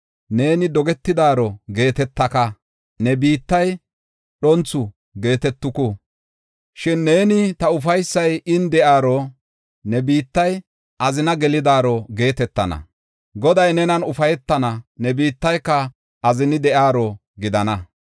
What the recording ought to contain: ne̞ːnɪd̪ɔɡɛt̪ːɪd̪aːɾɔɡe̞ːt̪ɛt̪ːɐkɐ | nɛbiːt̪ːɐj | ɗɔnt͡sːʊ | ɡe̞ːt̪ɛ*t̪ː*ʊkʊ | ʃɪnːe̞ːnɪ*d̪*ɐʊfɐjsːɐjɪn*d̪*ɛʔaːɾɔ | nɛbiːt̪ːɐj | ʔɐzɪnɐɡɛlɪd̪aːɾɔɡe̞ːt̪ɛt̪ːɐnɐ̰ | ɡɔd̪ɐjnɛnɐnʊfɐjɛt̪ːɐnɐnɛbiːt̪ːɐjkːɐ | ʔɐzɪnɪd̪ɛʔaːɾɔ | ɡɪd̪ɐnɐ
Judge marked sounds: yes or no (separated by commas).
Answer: yes, no, yes